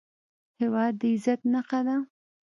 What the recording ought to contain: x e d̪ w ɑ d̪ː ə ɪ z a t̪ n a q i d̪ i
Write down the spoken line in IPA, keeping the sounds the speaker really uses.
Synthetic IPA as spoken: h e w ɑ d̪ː ə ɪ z a t̪ n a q a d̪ a